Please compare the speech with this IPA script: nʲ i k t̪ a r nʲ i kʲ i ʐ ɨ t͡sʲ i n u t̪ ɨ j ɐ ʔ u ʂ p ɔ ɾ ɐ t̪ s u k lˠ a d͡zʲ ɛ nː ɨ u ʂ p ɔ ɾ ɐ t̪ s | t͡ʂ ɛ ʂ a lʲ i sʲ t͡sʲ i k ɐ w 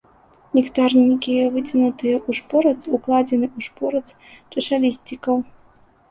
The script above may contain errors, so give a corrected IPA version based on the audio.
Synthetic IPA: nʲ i k t̪ a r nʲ i kʲ i v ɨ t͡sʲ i n u t̪ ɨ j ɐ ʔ u ʂ p ɔ ɾ ɐ t̪ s u k lˠ a d͡zʲ ɛ n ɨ u ʂ p ɔ ɾ ɐ t̪ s | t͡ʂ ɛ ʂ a lʲ i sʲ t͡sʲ i k ɐ w